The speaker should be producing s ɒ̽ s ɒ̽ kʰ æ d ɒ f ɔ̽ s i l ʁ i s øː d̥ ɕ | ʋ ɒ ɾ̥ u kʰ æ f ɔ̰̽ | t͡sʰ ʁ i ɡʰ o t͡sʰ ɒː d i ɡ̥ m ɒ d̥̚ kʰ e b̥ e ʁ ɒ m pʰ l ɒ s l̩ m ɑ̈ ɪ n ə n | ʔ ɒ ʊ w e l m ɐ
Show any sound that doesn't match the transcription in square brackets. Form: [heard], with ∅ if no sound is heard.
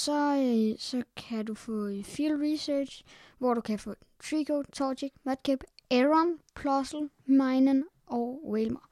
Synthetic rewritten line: s ɒ̽ s ɒ̽ kʰ æ d [u] f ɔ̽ [f] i l ʁ i s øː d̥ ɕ | ʋ ɒ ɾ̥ u kʰ æ f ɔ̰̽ | t͡sʰ ʁ i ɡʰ o t͡sʰ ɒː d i ɡ̥ m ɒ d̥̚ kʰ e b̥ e ʁ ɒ [n] pʰ l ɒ s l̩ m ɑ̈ ɪ n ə n | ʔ ɒ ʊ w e l m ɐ